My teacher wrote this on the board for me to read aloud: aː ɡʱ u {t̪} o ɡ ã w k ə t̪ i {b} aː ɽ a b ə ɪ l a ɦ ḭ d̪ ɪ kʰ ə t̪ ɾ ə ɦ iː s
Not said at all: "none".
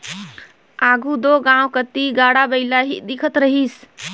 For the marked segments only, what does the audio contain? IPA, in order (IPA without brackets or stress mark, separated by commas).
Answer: d̪, ɡ